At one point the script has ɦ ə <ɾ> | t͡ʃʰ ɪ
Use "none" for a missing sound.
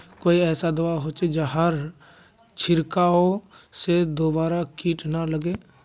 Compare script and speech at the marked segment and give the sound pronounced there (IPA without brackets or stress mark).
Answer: ɾ